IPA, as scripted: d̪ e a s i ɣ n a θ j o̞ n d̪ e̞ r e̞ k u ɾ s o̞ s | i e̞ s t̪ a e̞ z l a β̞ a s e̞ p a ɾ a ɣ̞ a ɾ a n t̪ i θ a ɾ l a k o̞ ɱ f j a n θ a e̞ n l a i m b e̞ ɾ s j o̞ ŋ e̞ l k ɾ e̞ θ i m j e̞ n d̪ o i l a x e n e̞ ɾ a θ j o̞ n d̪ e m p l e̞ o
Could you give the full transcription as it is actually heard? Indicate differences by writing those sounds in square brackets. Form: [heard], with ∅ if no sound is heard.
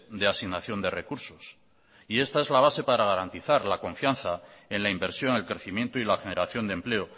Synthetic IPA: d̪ e a s i ɣ n a θ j o̞ n d̪ e̞ r e̞ k u ɾ s o̞ s | i e̞ s t̪ a e̞ z l a β̞ a s e̞ p a ɾ a ɣ̞ a ɾ a n t̪ i θ a ɾ l a k o̞ ɱ f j a n θ a e̞ n l a i m b e̞ ɾ s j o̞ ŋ e̞ l k ɾ e̞ θ i m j e̞ n [t̪] o i l a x e n e̞ ɾ a θ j o̞ n d̪ e m p l e̞ o